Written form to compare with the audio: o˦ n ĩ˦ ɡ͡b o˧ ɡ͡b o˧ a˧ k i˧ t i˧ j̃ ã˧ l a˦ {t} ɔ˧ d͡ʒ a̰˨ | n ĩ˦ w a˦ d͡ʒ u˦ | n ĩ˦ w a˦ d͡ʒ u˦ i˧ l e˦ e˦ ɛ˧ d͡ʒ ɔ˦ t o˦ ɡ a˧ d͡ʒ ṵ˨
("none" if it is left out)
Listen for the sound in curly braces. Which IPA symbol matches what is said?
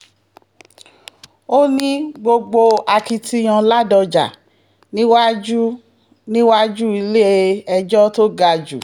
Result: d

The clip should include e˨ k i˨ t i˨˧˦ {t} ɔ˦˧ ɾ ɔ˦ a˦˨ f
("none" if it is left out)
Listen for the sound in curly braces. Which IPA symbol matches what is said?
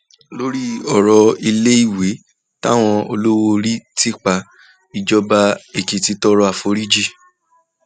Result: t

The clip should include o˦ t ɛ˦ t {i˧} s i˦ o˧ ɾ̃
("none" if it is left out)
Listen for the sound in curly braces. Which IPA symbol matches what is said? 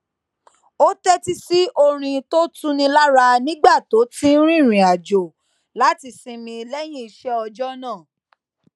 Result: i˧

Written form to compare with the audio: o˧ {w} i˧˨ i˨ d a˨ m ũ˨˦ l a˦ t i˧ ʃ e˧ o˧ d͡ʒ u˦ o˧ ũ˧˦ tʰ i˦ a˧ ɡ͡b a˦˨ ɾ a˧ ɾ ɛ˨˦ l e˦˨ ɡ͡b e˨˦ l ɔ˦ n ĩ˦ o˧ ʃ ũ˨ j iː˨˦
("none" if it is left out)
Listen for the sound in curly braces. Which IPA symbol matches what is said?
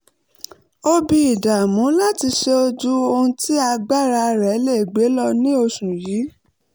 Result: b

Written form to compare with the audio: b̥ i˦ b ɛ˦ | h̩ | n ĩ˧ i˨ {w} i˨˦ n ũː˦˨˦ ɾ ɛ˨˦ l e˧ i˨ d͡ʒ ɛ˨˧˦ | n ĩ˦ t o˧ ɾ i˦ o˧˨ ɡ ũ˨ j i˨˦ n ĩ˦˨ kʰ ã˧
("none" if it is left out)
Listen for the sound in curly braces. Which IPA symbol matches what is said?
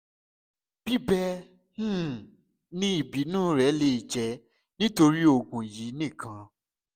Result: b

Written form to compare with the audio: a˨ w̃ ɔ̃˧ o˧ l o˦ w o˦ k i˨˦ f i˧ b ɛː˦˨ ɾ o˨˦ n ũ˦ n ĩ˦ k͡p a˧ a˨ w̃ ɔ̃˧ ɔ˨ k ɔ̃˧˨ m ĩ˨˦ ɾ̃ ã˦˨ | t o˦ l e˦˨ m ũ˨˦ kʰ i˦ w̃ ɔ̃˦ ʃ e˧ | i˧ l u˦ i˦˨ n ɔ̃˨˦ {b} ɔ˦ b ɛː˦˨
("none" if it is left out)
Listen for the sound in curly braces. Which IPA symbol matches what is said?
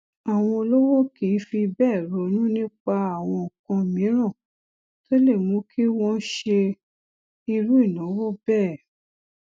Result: w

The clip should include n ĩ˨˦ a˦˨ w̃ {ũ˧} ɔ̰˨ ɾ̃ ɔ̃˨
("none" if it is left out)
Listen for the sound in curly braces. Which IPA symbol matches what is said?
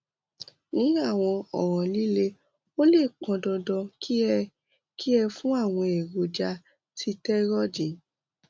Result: ɔ̃˧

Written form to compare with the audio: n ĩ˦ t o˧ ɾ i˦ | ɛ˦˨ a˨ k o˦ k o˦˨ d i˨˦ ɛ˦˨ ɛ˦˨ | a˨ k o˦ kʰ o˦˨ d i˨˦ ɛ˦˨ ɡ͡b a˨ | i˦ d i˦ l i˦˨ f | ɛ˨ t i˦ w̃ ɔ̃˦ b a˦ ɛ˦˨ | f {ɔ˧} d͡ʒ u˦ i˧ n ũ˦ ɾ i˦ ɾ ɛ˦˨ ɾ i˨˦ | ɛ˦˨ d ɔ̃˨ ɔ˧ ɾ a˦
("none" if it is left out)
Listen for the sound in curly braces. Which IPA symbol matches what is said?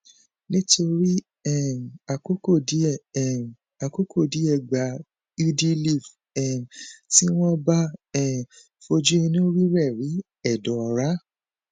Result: o˧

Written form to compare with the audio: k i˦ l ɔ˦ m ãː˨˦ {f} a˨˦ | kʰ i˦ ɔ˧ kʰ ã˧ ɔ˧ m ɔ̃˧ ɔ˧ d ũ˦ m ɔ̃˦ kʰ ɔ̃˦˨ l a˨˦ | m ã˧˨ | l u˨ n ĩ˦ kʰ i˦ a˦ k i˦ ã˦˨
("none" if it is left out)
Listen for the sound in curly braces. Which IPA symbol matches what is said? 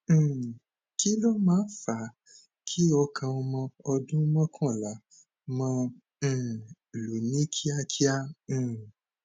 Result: f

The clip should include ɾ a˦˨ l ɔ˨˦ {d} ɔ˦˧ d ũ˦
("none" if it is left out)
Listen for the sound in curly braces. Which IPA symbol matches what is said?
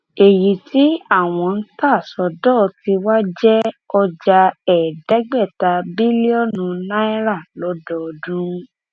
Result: d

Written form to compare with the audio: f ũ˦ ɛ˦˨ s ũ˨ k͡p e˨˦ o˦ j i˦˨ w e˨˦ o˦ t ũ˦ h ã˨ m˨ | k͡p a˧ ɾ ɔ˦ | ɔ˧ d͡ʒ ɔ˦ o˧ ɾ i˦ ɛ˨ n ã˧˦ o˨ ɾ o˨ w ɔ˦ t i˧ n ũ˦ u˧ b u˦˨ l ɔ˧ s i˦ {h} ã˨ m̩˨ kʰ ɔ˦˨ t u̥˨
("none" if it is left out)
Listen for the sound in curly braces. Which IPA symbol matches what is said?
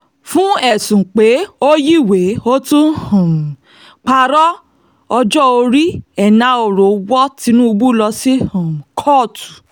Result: h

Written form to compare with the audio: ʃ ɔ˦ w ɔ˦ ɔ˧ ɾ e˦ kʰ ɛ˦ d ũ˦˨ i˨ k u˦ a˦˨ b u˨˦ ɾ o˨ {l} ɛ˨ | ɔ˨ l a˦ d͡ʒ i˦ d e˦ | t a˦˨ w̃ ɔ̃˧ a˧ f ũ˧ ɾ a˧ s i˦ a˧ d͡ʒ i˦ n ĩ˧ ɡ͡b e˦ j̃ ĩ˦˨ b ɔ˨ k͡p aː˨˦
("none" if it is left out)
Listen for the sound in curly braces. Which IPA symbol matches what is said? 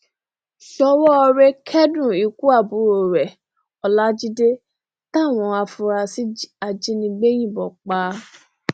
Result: ɾ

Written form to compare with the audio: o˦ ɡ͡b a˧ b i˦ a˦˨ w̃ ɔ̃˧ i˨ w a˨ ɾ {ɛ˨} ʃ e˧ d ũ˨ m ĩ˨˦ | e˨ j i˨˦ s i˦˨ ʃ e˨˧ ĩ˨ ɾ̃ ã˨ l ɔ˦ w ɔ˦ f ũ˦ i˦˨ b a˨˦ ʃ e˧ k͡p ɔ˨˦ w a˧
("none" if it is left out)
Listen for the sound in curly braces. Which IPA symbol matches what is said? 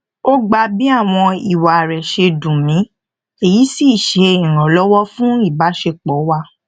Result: ɛ˨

